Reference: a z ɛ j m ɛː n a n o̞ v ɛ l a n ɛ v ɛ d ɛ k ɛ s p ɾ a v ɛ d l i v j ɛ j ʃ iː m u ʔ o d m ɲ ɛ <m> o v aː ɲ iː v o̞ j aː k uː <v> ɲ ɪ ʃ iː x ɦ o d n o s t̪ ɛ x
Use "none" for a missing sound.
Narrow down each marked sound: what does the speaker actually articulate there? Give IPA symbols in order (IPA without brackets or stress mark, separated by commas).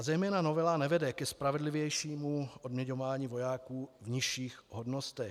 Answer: ɲ, v